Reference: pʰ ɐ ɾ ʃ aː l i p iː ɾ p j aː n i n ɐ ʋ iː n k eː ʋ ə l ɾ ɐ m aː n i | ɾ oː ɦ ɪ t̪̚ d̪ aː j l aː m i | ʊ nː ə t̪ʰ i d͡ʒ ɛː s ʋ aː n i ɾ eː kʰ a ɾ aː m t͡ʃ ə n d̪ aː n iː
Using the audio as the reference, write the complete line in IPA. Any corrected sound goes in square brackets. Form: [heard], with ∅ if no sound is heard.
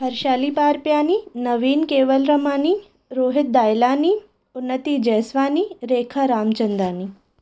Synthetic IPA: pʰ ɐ ɾ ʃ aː l i p [aː] ɾ p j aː n i n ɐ ʋ iː n k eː ʋ ə l ɾ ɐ m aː n i | ɾ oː ɦ ɪ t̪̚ d̪ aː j l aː [n] i | ʊ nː ə [t̪] i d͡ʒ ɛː s ʋ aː n i ɾ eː kʰ a ɾ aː m t͡ʃ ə n d̪ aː n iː